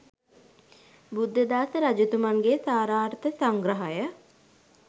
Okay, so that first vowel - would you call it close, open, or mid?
close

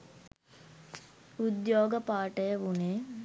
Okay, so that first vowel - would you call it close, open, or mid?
close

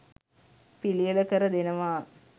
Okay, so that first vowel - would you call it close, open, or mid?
close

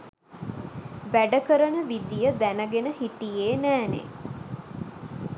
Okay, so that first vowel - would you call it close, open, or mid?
open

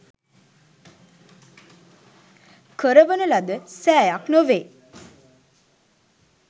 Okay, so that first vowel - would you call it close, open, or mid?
mid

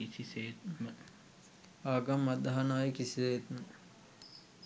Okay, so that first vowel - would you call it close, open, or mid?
close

